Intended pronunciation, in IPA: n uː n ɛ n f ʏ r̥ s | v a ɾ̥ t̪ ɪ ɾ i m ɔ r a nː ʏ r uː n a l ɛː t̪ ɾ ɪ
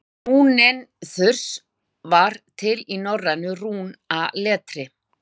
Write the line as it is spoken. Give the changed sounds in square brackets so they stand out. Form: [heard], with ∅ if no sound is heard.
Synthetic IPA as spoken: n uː n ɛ n [θ] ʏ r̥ s | v a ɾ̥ [t̪ʰ] ɪ [l] i [n] ɔ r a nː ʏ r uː n a l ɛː t̪ ɾ ɪ